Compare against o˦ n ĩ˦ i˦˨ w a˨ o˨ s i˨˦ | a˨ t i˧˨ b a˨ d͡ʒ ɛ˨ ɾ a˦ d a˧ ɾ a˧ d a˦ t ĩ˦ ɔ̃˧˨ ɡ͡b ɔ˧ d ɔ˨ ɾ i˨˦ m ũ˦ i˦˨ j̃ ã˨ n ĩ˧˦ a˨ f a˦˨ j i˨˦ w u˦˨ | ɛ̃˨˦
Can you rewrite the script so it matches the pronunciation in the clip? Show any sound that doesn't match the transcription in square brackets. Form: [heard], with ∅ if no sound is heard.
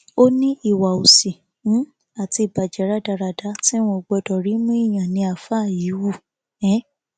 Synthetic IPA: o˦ n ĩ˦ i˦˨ w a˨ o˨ s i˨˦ | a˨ t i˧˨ b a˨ d͡ʒ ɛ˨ ɾ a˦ d a˧ ɾ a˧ d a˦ t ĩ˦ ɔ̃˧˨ ɡ͡b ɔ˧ d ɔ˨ ɾ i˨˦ m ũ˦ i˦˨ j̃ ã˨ n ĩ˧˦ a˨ f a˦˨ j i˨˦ w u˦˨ | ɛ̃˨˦